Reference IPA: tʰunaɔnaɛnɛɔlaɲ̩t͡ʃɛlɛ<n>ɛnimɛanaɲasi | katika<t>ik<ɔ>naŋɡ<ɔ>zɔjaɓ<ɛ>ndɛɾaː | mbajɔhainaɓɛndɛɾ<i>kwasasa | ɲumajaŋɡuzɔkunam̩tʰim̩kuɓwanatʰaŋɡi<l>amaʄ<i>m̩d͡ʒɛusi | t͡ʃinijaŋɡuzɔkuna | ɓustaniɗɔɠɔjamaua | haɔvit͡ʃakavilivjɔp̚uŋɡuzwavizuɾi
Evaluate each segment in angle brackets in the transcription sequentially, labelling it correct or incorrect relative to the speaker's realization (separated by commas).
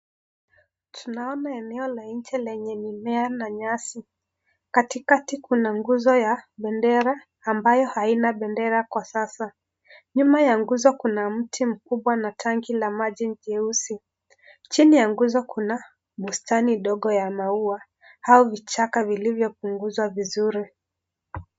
incorrect, correct, incorrect, incorrect, correct, incorrect, correct, correct